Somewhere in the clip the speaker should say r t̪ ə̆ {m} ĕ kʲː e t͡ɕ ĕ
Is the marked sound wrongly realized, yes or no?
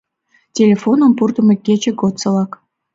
no